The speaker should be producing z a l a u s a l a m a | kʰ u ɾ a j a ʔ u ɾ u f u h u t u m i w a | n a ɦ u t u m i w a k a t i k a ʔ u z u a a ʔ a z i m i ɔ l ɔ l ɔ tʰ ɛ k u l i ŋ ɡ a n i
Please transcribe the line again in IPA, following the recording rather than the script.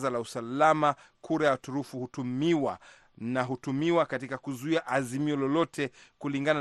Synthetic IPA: z a l a u s a l a m a | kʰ u ɾ a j a t u ɾ u f u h u t u m i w a | n a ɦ u t u m i w a k a t i k a k u z u i a ʔ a z i m i ɔ l ɔ l ɔ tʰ ɛ k u l i ŋ ɡ a n a